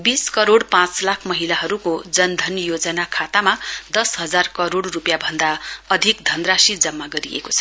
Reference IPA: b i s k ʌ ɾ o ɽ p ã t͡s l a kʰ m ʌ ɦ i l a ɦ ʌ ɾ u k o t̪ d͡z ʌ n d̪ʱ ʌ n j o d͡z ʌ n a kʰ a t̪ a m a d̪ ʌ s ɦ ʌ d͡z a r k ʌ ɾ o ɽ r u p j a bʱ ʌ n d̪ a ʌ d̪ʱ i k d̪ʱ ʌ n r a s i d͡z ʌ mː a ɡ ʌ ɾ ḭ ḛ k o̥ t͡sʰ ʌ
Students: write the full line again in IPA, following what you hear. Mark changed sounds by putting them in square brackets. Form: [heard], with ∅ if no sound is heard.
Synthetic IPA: b i s k ʌ ɾ o ɽ p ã t͡s l a kʰ m ʌ ɦ i l a ɦ ʌ ɾ u k o [∅] d͡z ʌ n d̪ʱ ʌ n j o d͡z ʌ n a kʰ a t̪ a m a d̪ ʌ s ɦ ʌ d͡z a r k ʌ ɾ o ɽ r u p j a bʱ ʌ n d̪ a ʌ d̪ʱ i k d̪ʱ ʌ n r a s i d͡z ʌ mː a ɡ ʌ ɾ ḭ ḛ k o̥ t͡sʰ ʌ